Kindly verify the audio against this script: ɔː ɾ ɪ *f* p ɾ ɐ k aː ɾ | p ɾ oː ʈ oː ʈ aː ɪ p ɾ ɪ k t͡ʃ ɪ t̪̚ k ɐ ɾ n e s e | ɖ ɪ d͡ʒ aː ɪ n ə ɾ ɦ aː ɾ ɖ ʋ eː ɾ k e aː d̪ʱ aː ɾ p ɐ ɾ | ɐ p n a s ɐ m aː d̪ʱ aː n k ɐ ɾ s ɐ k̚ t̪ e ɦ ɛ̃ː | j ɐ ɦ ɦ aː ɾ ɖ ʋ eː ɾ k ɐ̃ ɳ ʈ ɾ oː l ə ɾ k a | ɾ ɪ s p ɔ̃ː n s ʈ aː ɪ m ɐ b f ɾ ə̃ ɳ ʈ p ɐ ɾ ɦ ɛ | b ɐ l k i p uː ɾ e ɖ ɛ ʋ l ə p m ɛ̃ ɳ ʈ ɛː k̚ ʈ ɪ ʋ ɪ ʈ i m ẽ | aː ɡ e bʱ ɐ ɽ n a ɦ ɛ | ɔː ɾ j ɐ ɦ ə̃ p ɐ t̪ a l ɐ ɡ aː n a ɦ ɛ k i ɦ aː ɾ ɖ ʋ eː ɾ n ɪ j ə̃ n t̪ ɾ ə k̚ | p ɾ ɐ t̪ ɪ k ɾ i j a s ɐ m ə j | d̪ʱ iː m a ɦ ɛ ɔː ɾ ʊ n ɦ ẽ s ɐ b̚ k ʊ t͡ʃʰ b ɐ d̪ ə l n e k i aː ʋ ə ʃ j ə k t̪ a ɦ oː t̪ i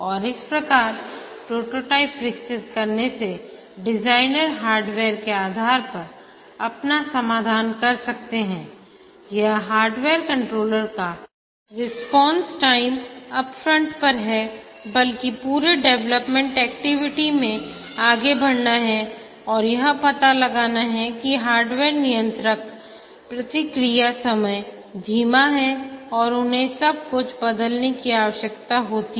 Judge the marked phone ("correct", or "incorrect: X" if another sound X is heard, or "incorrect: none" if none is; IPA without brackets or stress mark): incorrect: s